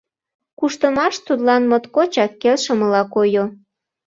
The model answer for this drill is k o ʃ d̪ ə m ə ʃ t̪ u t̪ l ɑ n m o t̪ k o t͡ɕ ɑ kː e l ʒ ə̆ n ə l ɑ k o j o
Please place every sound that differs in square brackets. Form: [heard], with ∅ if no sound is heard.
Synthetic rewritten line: k [u] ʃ [t̪] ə m [ɑ] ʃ t̪ u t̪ l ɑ n m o t̪ k o t͡ɕ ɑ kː e l [ʃ] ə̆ [m] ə l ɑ k o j o